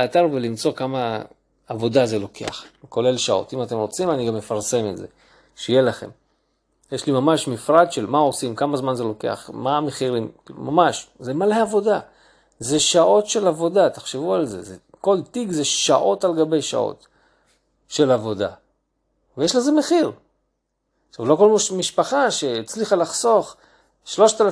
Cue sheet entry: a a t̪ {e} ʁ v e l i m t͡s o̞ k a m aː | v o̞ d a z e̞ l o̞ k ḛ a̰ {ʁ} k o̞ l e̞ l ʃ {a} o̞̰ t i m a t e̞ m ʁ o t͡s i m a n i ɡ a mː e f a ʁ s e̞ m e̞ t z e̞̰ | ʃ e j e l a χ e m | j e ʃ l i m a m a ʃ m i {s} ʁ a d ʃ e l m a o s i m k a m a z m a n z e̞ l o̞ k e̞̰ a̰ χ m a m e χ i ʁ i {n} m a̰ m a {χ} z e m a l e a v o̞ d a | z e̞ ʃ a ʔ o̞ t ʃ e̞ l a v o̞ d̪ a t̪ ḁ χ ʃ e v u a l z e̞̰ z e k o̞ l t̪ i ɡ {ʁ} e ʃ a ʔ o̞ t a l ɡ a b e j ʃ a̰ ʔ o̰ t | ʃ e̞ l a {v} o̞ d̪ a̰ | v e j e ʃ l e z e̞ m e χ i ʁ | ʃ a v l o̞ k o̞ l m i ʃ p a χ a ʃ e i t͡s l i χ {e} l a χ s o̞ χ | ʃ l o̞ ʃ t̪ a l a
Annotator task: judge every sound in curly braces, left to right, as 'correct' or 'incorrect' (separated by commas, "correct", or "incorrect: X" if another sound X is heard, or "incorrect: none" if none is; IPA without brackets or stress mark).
incorrect: a, incorrect: χ, correct, incorrect: f, incorrect: m, incorrect: ʃ, incorrect: z, correct, incorrect: a